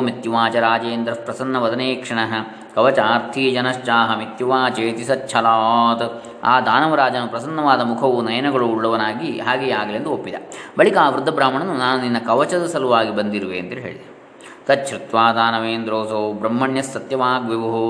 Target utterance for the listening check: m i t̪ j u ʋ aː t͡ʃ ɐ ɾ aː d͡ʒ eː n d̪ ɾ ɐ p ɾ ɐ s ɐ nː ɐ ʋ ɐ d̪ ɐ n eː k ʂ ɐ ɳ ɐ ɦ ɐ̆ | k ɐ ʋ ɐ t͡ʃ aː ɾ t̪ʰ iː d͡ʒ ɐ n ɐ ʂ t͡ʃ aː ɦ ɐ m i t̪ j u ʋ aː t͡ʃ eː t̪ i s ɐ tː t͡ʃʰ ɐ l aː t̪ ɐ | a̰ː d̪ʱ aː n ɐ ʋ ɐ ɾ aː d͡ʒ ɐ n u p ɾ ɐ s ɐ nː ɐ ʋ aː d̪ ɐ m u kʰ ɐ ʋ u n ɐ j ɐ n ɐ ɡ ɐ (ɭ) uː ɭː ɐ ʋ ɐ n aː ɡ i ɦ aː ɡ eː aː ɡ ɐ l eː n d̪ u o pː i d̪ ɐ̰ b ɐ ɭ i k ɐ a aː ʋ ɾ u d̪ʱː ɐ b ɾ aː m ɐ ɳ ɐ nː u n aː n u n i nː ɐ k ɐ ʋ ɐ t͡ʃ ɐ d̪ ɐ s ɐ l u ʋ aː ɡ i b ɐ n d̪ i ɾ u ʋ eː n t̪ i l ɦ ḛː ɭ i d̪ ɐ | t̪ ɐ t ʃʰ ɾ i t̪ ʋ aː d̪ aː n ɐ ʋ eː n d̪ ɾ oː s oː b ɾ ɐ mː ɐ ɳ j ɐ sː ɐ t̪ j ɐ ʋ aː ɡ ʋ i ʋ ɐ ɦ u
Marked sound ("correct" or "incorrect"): correct